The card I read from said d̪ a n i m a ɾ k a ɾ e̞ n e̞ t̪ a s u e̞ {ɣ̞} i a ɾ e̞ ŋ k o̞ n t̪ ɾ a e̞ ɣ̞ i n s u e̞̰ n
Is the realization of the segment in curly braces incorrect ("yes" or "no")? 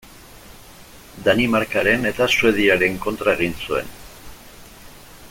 yes